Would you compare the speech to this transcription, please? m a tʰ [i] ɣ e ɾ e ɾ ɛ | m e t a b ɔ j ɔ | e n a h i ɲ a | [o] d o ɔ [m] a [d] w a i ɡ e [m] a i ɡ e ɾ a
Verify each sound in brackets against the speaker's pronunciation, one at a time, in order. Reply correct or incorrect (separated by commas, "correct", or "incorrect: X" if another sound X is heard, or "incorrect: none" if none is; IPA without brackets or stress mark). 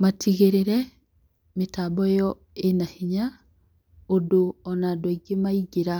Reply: correct, correct, incorrect: n, correct, correct